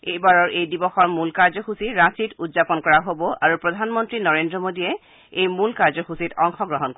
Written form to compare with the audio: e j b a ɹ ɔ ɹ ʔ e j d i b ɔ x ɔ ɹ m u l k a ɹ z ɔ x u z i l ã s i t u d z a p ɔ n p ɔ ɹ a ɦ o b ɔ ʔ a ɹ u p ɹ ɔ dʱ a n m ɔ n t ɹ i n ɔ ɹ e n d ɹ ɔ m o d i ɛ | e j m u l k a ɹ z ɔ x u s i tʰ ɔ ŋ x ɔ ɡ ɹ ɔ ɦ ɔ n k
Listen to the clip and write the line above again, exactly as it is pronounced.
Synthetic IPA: e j b a ɹ ɔ ɹ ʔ e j d i b ɔ x ɔ ɹ m u l k a ɹ z ɔ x u s i ɹ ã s i t u d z a p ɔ n k ɔ ɹ a ɦ o b ɔ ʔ a ɹ u p ɹ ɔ dʱ a n m ɔ n t ɹ i n ɔ ɹ e n d ɹ ɔ m o d i ɛ | e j m u l k a ɹ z ɔ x u s i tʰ ɔ ŋ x ɔ ɡ ɹ ɔ ɦ ɔ n k